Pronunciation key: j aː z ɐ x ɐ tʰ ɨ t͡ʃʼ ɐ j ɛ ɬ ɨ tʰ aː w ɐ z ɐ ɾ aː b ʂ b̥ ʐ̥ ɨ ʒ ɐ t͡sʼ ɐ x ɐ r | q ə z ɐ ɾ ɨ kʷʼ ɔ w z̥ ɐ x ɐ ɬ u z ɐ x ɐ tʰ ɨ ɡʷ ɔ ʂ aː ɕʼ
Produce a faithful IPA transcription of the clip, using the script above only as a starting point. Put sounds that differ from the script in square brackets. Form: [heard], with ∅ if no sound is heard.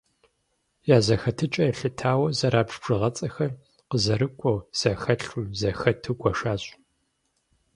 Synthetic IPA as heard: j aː z ɐ x ɐ tʰ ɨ t͡ʃʼ ɐ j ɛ ɬ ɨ tʰ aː w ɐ z ɐ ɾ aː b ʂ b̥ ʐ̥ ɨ [ʁ] ɐ t͡sʼ ɐ x ɐ r | q ə z ɐ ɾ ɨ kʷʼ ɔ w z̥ ɐ x ɐ ɬ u z ɐ x ɐ tʰ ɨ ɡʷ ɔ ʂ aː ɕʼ